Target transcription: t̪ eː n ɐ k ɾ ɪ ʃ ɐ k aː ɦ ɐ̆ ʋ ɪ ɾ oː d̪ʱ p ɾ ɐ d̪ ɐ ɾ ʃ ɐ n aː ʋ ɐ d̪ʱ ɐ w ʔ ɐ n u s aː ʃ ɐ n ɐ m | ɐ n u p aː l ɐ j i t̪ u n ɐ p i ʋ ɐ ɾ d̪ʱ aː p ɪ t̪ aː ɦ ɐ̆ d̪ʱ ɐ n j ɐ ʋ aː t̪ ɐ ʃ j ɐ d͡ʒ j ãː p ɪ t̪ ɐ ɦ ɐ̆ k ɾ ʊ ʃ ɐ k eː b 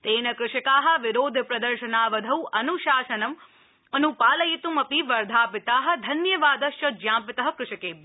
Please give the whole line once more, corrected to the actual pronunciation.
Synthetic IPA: t̪ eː n ɐ k ɾ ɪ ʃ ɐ k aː ɦ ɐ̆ ʋ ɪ ɾ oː d̪ʱ p ɾ ɐ d̪ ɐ ɾ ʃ ɐ n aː ʋ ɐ d̪ʱ ɐ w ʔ ɐ n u ʃ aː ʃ ɐ n ɐ m | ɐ n u p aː l ɐ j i t̪ u m ɐ p i ʋ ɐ ɾ d̪ʱ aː p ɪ t̪ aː ɦ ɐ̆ d̪ʱ ɐ n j ɐ ʋ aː d̪ ɐ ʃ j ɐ d͡ʒ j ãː p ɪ t̪ ɐ ɦ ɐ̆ k ɾ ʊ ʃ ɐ k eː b

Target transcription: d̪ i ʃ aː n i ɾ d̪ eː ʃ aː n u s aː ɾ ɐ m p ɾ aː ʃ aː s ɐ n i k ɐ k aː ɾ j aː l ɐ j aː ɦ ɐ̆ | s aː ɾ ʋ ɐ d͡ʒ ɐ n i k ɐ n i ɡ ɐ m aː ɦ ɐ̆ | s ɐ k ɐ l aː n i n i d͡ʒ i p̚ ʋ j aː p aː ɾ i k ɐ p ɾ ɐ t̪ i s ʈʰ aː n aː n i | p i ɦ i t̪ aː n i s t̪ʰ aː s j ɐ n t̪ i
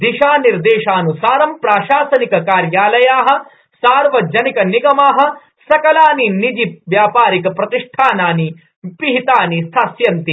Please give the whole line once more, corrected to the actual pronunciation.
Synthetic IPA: d̪ i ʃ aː n i ɾ d̪ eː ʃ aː n u s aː ɾ ɐ m p ɾ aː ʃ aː s ɐ n i k ɐ k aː ɾ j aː l ɐ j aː ɦ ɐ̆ | s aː ɾ ʋ ɐ d͡ʒ ɐ n i k ɐ n i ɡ ɐ m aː ɦ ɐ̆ | s ɐ k ɐ l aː n i n i d͡ʒ i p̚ ʋ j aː p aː ɾ i k ɐ p ɾ ɐ t̪ i ʂ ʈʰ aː n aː n i | p i ɦ i t̪ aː n i s t̪ʰ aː s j ɐ n t̪ i

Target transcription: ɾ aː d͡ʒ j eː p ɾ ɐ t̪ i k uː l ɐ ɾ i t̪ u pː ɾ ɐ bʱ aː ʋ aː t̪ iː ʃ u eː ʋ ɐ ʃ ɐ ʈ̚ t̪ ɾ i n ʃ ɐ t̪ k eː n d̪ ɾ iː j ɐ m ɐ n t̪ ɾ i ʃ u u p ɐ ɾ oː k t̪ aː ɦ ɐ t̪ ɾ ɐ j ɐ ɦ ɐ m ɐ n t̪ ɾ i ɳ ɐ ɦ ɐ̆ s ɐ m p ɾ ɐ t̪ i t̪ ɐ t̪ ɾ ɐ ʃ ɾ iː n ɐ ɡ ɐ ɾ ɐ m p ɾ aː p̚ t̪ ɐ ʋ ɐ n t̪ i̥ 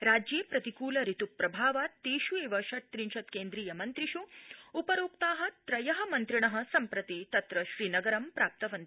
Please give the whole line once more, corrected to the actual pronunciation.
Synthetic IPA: ɾ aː d͡ʒ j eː p ɾ ɐ t̪ i k uː l ɐ ɾ i t̪ u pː ɾ ɐ bʱ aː ʋ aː t̪ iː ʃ u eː ʋ ɐ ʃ ɐ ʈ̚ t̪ ɾ i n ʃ ɐ t̪ k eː n d̪ ɾ iː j ɐ m ɐ n t̪ ɾ i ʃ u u p ɐ ɾ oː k t̪ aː ɦ ɐ t̪ ɾ ɐ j ɐ ɦ ɐ m ɐ n t̪ ɾ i ɳ ɐ ɦ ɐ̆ s ɐ m p ɾ ɐ t̪ i t̪ ɐ t̪ ɾ ɐ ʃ ɾ iː n ɐ ɡ ɐ ɾ ɐ m p ɾ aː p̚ t̪ ɐ ʋ ɐ n t̪ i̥

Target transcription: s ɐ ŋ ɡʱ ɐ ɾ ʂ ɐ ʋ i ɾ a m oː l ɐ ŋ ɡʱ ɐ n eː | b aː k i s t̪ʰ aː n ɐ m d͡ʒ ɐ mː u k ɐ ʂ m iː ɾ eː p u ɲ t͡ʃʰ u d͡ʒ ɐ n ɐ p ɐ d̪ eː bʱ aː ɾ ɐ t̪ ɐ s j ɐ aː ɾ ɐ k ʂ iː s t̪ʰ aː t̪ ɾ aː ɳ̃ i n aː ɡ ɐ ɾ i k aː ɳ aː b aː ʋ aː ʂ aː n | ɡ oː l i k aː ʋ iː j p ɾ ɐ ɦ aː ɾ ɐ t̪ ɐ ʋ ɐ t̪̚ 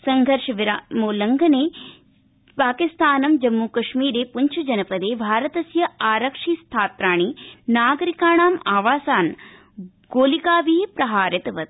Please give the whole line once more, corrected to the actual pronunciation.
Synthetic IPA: s ɐ ŋ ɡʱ ɐ ɾ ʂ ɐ ʋ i ɾ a m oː l ɐ ŋ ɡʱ ɐ n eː | p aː k i s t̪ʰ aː n ɐ m d͡ʒ ɐ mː u k ɐ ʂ m iː ɾ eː p u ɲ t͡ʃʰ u d͡ʒ ɐ n ɐ p ɐ d̪ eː bʱ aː ɾ ɐ t̪ ɐ s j ɐ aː ɾ ɐ k ʂ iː s t̪ʰ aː t̪ ɾ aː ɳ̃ i n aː ɡ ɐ ɾ i k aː ɳ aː m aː ʋ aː s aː n | ɡ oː l i k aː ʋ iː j p ɾ ɐ ɦ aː ɾ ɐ t̪ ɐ ʋ ɐ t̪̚

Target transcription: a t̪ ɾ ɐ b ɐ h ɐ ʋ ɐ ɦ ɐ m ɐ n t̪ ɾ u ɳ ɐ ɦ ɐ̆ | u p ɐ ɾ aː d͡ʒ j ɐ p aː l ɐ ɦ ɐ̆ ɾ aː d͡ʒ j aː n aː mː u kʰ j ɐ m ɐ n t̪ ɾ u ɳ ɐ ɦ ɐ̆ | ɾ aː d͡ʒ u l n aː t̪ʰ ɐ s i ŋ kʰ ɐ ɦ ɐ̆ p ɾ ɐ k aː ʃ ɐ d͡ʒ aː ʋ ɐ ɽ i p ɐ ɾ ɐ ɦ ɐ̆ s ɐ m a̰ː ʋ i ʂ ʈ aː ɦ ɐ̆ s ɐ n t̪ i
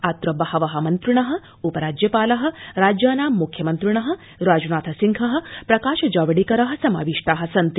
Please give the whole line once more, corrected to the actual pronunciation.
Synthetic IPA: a t̪ ɾ ɐ b ɐ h ɐ ʋ ɐ ɦ ɐ m ɐ n t̪ ɾ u ɳ ɐ ɦ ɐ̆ | u p ɐ ɾ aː d͡ʒ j ɐ p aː l ɐ ɦ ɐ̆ ɾ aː d͡ʒ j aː n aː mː u kʰ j ɐ m ɐ n t̪ ɾ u ɳ ɐ ɦ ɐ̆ | ɾ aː d͡ʒ u n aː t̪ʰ ɐ s i ŋ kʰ ɐ ɦ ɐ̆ p ɾ ɐ k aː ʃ ɐ d͡ʒ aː ʋ ɐ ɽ i k ɐ ɾ ɐ ɦ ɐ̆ s ɐ m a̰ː ʋ i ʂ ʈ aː ɦ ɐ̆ s ɐ n t̪ i

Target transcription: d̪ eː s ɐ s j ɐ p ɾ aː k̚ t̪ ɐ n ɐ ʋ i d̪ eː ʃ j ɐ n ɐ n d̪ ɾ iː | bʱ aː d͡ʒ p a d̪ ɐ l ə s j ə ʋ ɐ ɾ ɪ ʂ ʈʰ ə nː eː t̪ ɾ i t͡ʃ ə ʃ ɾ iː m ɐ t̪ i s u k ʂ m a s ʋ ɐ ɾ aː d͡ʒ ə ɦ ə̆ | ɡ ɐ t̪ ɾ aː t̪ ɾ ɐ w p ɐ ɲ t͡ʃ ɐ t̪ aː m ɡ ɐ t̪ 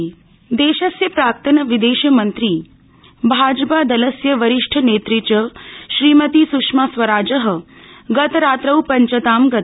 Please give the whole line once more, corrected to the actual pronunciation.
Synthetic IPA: d̪ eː ʃ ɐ s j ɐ p ɾ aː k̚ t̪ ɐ n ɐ ʋ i d̪ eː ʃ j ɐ m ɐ n t̪ ɾ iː | bʱ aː d͡ʒ p a d̪ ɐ l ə s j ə ʋ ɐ ɾ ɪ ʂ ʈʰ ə n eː t̪ ɾ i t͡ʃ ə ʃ ɾ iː m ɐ t̪ i s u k ʂ m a s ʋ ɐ ɾ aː d͡ʒ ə ɦ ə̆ | ɡ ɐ t̪ ɾ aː t̪ ɾ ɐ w p ɐ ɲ t͡ʃ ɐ t̪ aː m ɡ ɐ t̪

